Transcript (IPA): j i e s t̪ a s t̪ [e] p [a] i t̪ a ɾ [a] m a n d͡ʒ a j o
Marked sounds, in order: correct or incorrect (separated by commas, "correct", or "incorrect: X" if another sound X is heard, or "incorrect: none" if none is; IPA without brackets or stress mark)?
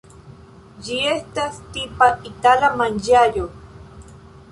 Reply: incorrect: i, correct, correct